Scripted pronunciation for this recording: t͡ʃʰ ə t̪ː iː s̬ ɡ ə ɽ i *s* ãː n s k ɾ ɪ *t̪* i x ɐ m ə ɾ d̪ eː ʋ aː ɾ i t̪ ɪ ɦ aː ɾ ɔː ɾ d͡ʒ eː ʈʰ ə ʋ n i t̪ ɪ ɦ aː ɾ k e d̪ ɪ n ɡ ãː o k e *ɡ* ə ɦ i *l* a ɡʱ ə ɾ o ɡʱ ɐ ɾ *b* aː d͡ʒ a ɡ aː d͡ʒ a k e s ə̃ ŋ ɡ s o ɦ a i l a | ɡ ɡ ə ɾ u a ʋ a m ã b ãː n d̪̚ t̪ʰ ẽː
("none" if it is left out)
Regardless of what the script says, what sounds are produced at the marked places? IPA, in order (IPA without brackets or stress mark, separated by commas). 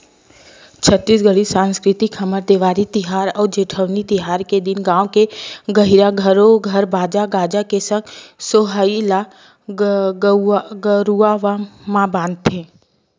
s, t̪, ɡ, ɾ, b